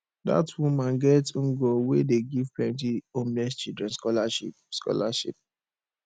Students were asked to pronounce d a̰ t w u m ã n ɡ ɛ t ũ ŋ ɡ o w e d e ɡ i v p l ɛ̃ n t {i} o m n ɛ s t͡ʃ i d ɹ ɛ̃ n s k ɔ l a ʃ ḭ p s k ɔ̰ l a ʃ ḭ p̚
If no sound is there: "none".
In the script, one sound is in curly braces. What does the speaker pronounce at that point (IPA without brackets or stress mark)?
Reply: i